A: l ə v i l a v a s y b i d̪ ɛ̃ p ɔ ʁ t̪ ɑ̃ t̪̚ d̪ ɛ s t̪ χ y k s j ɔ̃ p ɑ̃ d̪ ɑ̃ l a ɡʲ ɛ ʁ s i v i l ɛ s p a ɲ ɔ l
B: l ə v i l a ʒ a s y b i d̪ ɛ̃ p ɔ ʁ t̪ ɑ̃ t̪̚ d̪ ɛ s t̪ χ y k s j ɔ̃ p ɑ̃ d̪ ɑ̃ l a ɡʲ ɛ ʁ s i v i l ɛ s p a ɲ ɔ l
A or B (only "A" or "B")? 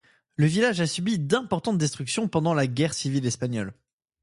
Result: B